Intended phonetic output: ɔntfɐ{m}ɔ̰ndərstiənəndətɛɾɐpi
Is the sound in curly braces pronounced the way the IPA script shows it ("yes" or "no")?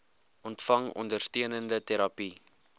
no